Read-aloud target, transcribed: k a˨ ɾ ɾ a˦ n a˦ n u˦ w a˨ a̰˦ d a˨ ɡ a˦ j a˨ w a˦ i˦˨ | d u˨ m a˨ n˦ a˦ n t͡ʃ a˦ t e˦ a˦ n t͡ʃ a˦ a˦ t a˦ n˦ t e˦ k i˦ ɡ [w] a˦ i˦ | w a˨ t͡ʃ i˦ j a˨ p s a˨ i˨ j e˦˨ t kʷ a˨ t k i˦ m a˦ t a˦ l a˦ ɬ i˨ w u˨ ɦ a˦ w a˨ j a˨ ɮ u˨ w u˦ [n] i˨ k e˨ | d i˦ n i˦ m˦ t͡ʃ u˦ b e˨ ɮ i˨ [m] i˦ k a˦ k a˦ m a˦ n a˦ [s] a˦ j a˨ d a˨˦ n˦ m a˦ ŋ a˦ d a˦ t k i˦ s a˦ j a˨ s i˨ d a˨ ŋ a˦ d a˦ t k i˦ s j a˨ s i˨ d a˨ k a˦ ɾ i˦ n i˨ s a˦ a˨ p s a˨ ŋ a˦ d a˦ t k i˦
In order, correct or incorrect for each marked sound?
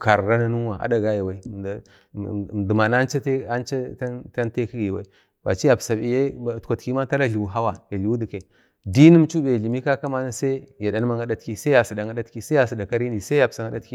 correct, incorrect, correct, correct

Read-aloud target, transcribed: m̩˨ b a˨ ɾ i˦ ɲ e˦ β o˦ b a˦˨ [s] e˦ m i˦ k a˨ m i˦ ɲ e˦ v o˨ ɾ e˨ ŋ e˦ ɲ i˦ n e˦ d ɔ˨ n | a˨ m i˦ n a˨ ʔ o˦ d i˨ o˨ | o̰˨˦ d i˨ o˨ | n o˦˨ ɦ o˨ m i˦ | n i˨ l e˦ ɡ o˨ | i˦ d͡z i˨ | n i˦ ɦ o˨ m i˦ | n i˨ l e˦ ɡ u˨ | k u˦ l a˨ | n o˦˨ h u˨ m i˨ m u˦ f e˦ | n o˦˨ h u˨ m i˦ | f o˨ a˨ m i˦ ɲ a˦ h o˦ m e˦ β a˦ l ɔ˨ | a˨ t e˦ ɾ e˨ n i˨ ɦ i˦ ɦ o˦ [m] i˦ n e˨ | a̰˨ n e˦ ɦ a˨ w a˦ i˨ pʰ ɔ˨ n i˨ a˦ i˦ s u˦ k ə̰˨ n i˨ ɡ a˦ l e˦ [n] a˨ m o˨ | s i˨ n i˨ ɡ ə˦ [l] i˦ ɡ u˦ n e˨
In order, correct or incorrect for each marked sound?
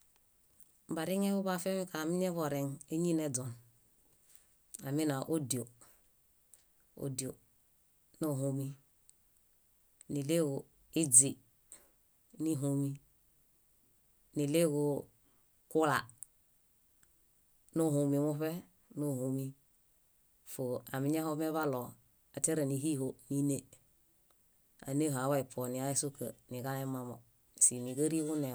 incorrect, incorrect, incorrect, incorrect

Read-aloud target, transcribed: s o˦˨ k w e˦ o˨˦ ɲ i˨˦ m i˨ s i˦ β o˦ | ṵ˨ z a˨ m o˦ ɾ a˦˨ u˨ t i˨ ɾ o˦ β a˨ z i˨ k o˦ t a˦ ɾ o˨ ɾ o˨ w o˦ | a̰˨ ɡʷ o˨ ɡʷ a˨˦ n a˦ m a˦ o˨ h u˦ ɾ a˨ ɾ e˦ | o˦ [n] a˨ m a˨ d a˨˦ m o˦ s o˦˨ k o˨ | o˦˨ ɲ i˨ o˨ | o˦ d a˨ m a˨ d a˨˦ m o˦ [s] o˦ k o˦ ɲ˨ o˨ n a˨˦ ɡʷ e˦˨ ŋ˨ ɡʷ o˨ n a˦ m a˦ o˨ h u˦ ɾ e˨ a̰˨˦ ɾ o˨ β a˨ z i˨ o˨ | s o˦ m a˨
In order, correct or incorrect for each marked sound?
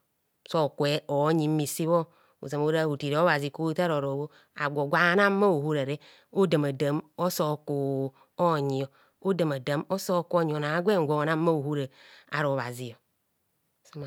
incorrect, correct

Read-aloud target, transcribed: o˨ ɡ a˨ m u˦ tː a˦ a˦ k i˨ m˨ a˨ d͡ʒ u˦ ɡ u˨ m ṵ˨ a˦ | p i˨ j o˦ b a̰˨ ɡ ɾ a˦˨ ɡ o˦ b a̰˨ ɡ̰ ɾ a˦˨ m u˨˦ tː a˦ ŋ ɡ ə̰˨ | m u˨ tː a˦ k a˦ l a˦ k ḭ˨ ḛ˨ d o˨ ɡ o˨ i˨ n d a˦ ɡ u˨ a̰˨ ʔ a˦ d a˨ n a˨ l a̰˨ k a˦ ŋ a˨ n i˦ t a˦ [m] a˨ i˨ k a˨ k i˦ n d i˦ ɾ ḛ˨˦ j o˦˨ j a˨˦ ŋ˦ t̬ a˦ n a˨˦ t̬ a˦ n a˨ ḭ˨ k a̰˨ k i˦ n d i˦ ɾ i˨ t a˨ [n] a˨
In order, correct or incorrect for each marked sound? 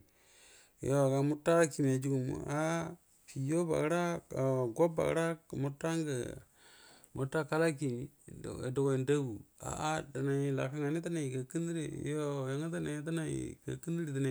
incorrect, correct

